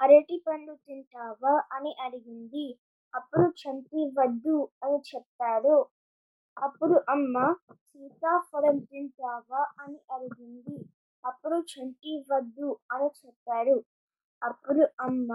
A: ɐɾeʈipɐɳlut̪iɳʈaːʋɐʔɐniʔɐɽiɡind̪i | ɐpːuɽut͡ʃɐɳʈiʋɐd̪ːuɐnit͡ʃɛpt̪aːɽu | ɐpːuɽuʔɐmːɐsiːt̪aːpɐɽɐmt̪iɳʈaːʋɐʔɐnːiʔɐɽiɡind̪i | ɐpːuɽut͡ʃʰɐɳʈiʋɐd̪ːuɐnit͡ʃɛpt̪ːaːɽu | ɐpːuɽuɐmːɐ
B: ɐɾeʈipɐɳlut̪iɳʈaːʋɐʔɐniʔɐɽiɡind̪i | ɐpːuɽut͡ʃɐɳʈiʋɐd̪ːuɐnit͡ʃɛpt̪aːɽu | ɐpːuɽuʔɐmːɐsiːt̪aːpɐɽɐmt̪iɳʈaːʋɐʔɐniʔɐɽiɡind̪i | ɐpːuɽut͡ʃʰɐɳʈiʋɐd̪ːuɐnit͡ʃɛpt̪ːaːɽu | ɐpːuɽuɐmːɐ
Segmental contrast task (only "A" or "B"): B